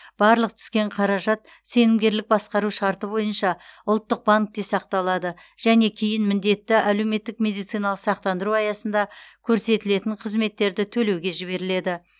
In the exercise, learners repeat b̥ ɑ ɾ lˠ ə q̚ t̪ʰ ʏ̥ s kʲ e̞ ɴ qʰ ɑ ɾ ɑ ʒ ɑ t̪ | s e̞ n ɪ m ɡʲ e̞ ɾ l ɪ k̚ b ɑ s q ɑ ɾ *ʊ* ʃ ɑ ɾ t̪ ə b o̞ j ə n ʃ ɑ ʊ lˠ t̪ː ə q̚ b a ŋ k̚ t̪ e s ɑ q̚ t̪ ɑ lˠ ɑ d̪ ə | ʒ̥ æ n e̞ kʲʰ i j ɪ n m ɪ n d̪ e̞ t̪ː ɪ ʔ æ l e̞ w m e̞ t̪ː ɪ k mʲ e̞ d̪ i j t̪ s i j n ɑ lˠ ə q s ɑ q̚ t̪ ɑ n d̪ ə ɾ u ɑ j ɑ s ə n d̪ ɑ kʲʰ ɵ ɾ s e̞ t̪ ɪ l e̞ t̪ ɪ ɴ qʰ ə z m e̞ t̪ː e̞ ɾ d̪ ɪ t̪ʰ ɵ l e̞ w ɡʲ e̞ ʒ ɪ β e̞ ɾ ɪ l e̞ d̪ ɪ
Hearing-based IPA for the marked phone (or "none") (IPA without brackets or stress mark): u